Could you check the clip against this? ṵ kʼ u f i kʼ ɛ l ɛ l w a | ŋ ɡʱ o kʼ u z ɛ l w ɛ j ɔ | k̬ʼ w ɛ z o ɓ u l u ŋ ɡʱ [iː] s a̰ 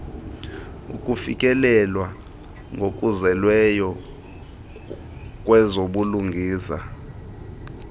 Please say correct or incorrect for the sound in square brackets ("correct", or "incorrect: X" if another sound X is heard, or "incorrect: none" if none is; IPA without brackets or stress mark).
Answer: correct